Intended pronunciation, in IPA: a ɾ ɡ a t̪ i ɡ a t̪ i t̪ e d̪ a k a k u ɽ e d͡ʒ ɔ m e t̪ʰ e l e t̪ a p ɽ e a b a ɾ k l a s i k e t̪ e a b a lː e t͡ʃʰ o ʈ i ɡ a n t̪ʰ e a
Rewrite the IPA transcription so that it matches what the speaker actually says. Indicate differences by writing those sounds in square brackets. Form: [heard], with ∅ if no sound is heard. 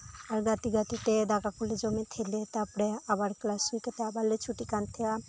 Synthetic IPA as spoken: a ɾ ɡ a t̪ i ɡ a t̪ i t̪ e d̪ a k a k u [l] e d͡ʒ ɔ m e t̪ʰ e l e t̪ a p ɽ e a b a ɾ k l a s i k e t̪ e a b a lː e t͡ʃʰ [u] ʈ i [k] a n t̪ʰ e a